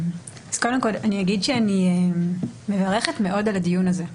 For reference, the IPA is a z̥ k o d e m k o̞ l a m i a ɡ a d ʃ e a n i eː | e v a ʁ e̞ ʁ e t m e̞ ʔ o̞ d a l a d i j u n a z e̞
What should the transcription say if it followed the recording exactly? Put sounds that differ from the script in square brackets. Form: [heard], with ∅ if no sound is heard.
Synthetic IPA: a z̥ k o d e m k o̞ l a [n] i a ɡ [i] d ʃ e a n i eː | e v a ʁ e̞ [χ] e t m e̞ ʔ o̞ d a l a d i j u n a z e̞